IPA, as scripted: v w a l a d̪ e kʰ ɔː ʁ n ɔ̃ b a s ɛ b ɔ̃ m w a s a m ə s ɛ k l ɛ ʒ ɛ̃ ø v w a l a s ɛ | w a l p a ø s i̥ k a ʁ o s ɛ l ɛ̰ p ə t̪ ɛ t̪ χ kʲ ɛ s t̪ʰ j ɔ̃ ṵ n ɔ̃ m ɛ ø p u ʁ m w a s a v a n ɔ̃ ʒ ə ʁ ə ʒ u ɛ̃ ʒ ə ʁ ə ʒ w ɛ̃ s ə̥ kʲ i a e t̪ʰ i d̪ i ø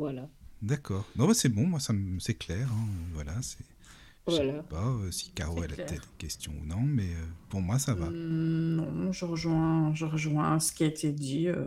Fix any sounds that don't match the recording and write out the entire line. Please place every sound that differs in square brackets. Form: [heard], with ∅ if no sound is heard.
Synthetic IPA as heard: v w a l a d̪ [a] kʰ ɔː ʁ n ɔ̃ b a s ɛ b ɔ̃ m w a s a m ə s ɛ k l ɛ [ʁ] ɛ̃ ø v w a l a s ɛ | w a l p a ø s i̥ k a ʁ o [∅] ɛ l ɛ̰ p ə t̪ ɛ t̪ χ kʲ ɛ s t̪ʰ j ɔ̃ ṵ n ɔ̃ m ɛ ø p u ʁ m w a s a v a n ɔ̃ ʒ ə ʁ ə ʒ [w] ɛ̃ ʒ ə ʁ ə ʒ w ɛ̃ s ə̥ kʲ i a e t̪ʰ [e] d̪ i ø